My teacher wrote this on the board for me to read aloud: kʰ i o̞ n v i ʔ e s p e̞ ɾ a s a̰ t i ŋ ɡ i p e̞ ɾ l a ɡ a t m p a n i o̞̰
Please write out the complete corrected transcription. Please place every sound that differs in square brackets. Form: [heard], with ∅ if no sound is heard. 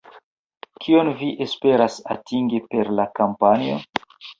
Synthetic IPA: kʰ i o̞ n v i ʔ e s p e̞ ɾ a s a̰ t i ŋ ɡ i p e̞ ɾ l a [k] a [∅] m p a n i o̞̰